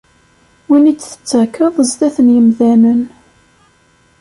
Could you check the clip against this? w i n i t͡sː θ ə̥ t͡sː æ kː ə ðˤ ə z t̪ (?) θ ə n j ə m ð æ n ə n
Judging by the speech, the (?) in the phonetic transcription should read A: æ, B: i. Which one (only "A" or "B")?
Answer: A